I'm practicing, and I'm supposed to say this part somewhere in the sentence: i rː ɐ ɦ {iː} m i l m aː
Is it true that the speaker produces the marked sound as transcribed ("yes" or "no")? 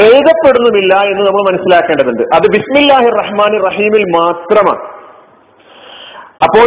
yes